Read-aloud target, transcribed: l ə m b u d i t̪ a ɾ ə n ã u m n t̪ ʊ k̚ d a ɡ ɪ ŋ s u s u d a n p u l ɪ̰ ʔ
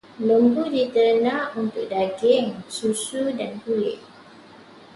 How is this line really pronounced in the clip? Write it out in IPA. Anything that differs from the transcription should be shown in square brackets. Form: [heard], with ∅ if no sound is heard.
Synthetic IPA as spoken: l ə m b u d i t̪ [ə] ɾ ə n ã u [∅] n t̪ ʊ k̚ d a ɡ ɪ ŋ s u s u d a n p u l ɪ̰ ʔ